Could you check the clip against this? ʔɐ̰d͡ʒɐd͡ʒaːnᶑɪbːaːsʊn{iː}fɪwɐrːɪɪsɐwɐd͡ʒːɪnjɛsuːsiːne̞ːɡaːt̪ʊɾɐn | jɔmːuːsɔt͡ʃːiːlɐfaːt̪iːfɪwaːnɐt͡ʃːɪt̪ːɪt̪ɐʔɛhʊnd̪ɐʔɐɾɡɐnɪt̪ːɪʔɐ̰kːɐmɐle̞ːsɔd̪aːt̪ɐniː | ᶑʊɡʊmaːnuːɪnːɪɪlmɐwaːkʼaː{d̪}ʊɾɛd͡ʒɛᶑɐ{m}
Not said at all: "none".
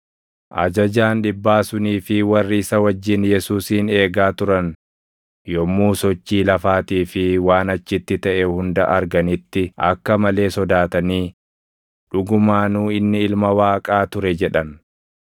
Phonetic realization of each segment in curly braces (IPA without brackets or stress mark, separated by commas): iː, t̪, n